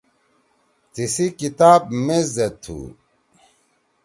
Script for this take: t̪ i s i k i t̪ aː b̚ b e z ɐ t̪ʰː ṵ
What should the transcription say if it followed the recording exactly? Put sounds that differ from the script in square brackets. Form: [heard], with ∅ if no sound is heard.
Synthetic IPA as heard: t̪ i s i k i t̪ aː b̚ [m] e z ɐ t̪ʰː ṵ